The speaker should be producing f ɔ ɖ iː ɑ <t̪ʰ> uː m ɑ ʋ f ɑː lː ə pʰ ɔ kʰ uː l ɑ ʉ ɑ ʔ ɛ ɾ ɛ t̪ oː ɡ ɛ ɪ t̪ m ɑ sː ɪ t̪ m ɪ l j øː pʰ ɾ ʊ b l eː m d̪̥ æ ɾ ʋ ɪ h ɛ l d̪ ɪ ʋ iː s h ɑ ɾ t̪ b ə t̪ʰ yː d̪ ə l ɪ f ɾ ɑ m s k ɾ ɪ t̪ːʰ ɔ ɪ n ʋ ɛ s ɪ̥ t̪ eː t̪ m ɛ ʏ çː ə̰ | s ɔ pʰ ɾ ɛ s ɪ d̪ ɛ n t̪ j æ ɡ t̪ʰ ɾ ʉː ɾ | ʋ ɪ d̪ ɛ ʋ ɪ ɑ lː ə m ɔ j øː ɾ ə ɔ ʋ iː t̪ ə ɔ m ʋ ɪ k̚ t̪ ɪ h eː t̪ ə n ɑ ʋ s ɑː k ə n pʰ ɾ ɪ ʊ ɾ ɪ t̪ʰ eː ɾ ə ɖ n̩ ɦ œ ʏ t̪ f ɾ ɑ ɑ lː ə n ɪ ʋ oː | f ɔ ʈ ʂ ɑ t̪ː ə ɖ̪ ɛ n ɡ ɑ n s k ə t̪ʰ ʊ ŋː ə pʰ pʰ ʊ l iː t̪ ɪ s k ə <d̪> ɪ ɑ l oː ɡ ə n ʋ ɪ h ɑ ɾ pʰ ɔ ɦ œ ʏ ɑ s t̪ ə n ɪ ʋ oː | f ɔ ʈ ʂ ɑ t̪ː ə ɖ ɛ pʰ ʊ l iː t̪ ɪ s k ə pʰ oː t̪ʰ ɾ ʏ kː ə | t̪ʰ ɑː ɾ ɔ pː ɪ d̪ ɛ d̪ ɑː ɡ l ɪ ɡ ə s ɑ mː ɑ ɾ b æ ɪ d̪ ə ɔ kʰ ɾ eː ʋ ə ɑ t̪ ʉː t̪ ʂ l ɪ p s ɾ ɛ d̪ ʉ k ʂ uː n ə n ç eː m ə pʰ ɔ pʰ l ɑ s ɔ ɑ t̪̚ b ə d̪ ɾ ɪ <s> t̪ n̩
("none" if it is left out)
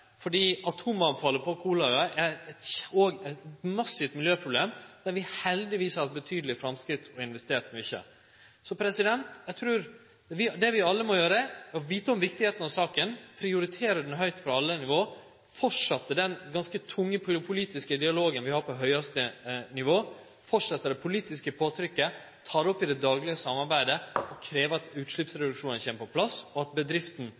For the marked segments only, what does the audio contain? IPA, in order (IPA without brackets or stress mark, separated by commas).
t̪ʰ, d̪, f